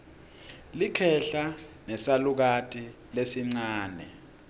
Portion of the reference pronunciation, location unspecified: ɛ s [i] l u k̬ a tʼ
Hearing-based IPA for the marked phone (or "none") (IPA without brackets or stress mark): a